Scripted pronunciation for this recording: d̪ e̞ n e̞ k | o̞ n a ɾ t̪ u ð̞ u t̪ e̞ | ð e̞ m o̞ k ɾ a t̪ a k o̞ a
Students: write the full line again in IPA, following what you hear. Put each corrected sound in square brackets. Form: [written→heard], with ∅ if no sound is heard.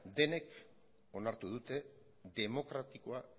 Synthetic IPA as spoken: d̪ e̞ n e̞ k | o̞ n a ɾ t̪ u ð̞ u t̪ e̞ | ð e̞ m o̞ k ɾ a t̪ [a→i] k o̞ a